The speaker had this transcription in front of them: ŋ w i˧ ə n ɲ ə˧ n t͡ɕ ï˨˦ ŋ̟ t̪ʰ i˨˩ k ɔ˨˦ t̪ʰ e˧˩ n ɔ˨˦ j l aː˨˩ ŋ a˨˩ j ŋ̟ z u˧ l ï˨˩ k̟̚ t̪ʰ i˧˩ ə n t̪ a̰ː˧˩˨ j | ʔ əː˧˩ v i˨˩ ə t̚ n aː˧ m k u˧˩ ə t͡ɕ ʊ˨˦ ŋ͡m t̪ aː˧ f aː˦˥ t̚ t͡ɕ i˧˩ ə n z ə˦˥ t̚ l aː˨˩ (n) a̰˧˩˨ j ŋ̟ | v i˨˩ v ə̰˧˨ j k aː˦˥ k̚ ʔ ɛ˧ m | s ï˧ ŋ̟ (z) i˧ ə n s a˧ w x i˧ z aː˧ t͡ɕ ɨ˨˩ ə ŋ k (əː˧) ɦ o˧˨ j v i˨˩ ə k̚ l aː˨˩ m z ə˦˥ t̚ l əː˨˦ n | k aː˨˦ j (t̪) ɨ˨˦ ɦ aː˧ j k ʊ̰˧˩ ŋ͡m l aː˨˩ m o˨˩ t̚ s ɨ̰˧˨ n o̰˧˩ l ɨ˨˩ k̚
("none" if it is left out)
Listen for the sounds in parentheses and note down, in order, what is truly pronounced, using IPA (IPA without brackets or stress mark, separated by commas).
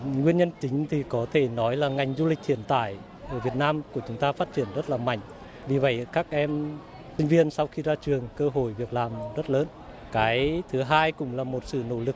m, v, əː˧, t̪ʰ